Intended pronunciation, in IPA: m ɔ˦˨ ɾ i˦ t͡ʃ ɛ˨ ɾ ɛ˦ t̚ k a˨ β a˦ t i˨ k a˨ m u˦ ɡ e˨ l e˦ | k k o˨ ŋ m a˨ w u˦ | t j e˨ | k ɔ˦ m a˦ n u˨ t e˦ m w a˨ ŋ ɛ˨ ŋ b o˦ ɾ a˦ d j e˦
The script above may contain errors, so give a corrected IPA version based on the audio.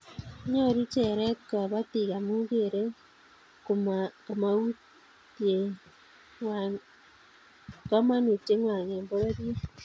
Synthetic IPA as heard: ɲ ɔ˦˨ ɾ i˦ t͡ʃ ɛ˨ ɾ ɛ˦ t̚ k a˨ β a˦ t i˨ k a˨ m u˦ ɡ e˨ ɾ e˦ | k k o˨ m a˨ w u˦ | t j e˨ | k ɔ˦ m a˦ n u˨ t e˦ ŋ w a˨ ŋ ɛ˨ m b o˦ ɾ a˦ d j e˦

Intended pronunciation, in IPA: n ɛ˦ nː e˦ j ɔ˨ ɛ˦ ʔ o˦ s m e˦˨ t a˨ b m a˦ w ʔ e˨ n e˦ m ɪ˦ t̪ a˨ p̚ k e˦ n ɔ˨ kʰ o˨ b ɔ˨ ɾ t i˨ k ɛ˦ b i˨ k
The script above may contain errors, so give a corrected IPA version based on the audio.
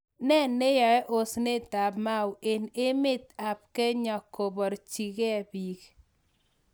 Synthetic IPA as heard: n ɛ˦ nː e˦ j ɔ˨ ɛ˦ ʔ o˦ s n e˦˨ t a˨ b m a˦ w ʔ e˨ n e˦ m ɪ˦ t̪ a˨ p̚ k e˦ ɲ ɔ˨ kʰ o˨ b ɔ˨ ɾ t͡ʃ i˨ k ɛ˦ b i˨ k

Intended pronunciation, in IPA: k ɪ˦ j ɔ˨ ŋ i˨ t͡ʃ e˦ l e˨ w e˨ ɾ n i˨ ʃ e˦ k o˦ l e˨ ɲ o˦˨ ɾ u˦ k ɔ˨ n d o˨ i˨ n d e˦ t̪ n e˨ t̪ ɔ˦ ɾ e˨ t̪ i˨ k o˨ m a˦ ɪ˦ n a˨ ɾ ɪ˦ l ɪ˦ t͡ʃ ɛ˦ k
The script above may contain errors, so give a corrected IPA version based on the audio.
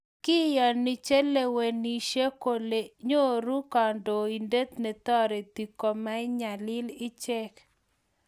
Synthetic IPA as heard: k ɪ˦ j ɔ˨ n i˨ t͡ʃ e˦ l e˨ w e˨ n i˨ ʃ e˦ k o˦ l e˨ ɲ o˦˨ ɾ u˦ k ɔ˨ n d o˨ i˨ n d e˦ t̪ n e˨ t̪ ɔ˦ ɾ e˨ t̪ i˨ k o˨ m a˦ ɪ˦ ɲ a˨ l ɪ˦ l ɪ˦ t͡ʃ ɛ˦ k

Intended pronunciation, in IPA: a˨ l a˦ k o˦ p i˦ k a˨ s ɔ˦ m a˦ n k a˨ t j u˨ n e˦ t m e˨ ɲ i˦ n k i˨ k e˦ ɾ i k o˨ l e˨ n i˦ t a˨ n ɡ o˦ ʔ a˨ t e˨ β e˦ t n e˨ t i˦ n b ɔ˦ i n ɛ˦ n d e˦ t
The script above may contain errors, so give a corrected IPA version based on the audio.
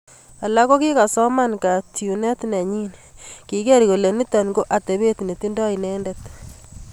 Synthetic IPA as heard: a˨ l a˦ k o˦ k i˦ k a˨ s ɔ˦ m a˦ n k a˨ t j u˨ n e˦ t n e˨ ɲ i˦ n k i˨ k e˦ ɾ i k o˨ l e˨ n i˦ t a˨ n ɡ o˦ ʔ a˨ t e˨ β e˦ t n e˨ t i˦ n d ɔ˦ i n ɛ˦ n d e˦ t

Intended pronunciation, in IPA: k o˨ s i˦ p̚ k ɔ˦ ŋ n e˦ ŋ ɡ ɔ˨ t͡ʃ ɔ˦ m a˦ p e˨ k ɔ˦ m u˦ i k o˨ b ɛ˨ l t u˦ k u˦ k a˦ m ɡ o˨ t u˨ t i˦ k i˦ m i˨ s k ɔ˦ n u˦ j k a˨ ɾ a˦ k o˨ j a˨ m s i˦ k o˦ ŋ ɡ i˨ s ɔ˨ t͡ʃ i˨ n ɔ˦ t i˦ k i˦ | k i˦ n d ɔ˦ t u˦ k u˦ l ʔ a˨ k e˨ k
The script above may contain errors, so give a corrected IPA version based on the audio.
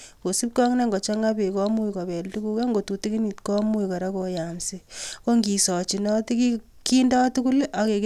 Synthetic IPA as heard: k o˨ s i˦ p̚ k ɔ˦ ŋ n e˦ ŋ ɡ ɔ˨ t͡ʃ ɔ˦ ŋ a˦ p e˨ k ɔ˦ m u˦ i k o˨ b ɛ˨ l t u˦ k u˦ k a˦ ŋ ɡ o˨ t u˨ t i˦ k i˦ n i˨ t k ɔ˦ m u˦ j k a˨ ɾ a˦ k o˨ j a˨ m s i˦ k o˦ ŋ ɡ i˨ s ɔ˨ t͡ʃ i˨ n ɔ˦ t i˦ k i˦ | k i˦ n d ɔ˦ t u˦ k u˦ l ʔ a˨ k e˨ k

